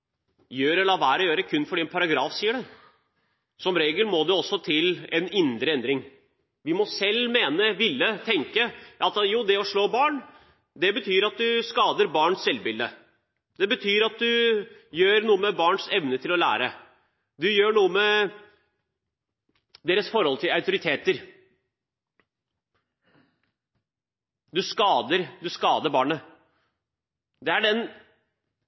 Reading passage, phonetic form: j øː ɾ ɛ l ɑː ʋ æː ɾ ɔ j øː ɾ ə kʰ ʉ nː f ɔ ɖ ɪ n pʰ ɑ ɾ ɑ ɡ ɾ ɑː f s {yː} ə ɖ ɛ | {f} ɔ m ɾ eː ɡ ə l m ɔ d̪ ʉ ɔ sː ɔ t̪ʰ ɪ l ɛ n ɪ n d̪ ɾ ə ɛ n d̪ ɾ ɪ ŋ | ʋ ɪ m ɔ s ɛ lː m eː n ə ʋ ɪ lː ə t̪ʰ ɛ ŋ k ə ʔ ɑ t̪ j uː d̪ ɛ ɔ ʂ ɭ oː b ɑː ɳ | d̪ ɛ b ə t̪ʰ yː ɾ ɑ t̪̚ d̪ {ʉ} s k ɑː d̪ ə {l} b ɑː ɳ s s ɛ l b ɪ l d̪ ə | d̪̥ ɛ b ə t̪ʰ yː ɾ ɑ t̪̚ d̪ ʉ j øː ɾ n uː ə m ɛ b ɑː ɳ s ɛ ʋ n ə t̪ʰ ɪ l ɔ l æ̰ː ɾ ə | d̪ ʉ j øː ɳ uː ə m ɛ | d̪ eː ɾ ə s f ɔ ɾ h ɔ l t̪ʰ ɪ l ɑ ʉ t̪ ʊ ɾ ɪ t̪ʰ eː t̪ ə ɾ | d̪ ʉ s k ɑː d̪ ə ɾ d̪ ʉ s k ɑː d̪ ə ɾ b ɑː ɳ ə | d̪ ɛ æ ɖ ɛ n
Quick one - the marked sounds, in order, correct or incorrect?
incorrect, incorrect, correct, incorrect

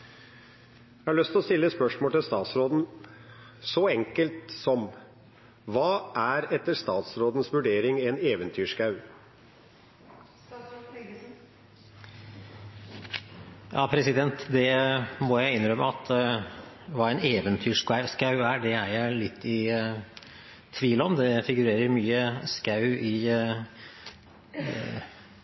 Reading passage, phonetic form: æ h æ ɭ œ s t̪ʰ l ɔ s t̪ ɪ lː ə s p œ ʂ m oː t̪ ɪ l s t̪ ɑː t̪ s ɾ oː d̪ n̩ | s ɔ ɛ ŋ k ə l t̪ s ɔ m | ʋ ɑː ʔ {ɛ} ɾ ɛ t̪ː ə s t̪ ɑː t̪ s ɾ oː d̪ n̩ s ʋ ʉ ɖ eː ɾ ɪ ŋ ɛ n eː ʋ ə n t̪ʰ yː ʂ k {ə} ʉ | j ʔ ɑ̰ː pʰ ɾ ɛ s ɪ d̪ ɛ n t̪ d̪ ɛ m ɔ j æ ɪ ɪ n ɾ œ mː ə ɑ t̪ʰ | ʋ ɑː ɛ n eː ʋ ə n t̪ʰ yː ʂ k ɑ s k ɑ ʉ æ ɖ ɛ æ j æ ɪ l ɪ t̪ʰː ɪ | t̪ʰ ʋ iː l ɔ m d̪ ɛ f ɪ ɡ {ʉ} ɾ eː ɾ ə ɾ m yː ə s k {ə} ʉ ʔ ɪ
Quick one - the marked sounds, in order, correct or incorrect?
incorrect, incorrect, correct, incorrect

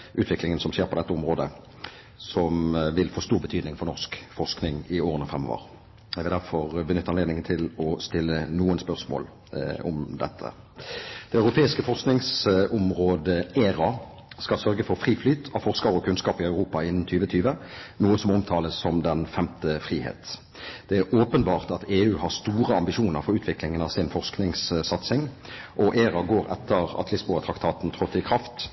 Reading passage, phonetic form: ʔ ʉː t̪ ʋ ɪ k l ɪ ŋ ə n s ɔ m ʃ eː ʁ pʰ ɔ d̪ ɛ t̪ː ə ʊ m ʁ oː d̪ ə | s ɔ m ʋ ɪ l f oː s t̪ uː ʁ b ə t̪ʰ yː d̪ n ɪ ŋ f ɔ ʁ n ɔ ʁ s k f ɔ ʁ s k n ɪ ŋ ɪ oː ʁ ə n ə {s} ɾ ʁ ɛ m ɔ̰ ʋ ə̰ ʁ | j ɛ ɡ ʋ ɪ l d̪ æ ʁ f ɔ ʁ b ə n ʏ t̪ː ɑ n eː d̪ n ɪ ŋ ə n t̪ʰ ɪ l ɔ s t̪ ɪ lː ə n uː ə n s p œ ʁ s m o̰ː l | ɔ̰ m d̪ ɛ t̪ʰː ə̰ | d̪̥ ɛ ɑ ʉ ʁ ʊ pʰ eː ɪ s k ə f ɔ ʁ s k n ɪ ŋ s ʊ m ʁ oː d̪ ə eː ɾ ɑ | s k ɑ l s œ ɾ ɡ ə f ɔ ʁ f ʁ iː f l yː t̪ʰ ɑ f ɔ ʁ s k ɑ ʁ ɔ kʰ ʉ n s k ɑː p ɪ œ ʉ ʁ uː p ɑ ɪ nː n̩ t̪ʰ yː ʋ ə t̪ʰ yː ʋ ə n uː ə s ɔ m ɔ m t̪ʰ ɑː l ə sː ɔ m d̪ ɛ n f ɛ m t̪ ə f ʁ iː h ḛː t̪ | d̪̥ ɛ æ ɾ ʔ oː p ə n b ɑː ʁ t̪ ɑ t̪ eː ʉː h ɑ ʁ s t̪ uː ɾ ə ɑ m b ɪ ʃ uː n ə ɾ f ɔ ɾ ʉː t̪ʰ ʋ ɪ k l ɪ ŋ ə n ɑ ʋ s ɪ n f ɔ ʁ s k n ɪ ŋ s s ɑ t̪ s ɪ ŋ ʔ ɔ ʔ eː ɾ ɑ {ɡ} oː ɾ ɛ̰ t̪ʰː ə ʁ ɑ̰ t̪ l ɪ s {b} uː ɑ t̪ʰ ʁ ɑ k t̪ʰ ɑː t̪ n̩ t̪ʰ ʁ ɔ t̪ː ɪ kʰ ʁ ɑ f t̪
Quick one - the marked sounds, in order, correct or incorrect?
incorrect, correct, correct

